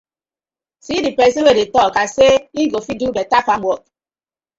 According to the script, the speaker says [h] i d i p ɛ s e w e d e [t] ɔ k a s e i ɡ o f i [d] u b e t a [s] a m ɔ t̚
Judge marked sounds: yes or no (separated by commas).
no, yes, yes, no